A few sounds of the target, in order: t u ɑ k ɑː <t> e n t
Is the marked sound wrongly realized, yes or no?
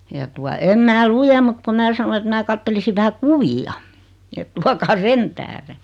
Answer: yes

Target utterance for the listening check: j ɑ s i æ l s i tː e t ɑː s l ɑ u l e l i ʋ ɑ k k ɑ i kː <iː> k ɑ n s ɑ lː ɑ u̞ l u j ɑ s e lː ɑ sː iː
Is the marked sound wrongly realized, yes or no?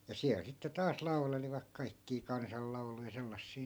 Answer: no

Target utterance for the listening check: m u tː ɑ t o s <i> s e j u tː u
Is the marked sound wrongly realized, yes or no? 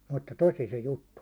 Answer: no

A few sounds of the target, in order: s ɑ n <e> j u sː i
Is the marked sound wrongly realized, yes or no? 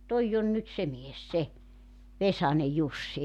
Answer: no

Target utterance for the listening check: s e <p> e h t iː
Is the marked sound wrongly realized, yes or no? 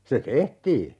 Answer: yes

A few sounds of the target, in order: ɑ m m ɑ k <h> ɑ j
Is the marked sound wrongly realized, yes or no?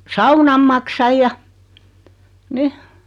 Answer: yes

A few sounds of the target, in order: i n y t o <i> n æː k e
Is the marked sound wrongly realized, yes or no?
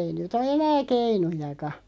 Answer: yes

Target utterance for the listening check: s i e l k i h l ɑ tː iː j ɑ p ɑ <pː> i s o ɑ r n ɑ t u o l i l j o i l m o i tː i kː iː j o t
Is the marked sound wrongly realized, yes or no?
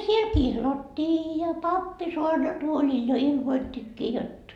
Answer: no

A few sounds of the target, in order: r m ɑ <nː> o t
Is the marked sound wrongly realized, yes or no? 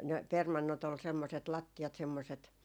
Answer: no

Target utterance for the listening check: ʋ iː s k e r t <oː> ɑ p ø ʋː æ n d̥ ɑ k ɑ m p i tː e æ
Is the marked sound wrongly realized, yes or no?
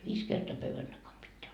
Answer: yes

